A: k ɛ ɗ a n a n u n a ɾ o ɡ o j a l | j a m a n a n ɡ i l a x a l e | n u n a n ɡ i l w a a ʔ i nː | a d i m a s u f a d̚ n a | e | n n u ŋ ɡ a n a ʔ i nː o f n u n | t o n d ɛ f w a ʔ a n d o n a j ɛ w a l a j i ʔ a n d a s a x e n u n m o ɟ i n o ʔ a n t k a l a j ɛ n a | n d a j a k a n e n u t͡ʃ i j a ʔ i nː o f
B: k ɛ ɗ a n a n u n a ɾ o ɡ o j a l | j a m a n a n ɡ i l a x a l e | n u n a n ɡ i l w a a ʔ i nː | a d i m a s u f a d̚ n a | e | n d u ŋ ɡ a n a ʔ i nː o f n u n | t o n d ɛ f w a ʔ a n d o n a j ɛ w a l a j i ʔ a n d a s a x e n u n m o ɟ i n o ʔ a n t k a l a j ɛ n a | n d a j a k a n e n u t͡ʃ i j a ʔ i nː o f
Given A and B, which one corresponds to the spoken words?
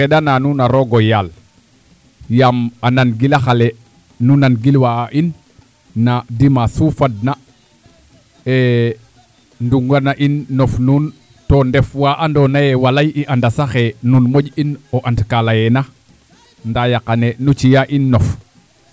B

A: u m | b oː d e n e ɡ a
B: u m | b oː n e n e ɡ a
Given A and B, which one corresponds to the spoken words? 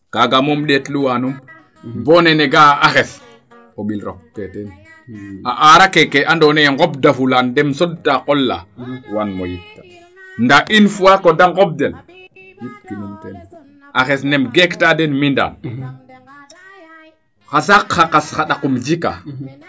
B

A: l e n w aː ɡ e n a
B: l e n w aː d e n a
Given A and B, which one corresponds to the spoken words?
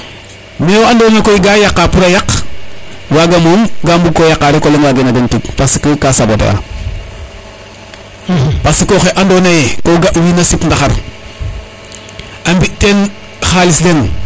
A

